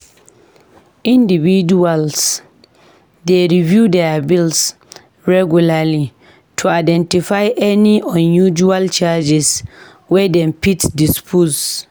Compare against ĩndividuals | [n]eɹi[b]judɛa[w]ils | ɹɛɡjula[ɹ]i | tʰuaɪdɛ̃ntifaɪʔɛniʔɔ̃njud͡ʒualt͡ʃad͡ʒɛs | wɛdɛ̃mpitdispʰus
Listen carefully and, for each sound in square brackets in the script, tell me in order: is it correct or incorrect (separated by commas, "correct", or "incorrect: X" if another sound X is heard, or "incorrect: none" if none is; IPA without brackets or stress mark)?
incorrect: d, incorrect: v, incorrect: b, incorrect: l